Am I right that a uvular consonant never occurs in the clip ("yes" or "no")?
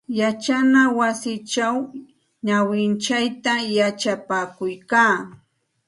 yes